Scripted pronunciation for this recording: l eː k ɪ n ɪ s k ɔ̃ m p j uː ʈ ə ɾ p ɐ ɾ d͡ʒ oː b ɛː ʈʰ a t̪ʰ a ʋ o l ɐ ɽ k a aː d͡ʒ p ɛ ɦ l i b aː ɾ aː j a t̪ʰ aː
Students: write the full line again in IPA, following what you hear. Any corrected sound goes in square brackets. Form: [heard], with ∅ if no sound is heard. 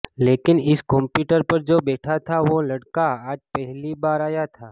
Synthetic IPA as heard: l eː k ɪ n ɪ s k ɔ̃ m p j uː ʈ ə ɾ p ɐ ɾ d͡ʒ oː b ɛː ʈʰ a t̪ʰ a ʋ o l ɐ ɽ k a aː d͡ʒ p ɛ ɦ l i b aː ɾ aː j a t̪ʰ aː